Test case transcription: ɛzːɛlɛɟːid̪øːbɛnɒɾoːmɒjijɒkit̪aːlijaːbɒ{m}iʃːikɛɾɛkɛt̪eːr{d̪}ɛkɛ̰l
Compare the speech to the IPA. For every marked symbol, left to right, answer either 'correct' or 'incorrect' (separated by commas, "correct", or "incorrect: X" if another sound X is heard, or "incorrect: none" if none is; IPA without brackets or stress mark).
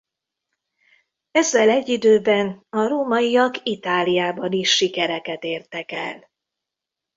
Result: incorrect: n, incorrect: t̪